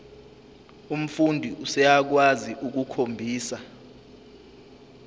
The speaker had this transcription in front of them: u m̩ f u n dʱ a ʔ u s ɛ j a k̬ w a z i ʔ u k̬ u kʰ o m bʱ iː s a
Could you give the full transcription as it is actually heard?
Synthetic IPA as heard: u m̩ f u n dʱ i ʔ u s ɛ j a k̬ w a z i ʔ u k̬ u kʰ o m bʱ iː s a